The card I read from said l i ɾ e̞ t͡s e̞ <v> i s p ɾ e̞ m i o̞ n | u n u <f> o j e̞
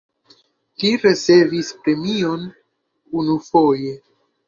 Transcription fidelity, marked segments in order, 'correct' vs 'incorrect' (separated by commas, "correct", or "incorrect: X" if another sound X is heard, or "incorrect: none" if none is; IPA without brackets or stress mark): correct, correct